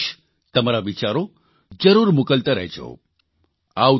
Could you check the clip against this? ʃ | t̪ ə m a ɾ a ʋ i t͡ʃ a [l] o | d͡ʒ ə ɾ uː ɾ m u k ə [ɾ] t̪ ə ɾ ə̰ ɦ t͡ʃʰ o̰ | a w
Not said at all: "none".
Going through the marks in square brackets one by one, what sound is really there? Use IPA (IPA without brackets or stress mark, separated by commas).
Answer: ɾ, l